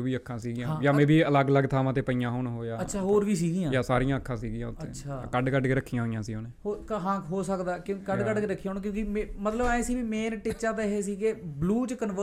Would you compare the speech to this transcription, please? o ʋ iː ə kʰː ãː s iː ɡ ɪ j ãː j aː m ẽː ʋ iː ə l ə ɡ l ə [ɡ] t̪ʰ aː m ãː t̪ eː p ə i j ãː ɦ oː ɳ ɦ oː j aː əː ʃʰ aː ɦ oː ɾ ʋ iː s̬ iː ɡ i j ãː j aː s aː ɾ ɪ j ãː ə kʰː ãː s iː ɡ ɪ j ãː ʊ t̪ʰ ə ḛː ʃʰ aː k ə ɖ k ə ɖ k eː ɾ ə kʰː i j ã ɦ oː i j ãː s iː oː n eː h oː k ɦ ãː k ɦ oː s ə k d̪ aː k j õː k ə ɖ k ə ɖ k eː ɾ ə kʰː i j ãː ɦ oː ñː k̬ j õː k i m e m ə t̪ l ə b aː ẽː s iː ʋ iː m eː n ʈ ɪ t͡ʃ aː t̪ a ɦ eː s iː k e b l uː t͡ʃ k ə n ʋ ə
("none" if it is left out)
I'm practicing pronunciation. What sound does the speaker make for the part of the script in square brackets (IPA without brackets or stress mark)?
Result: ɡ